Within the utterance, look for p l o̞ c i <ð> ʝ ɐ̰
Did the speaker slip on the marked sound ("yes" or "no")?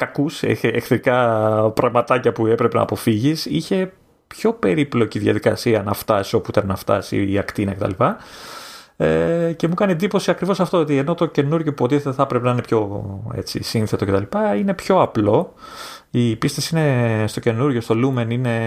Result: no